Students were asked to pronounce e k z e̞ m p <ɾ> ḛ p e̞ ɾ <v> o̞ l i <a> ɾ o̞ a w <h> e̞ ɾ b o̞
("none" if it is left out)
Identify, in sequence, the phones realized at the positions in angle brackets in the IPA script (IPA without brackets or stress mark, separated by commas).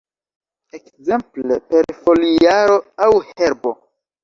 l, f, a, h